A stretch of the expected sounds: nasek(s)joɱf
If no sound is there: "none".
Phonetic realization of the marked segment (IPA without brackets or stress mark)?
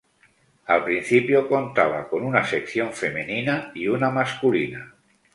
θ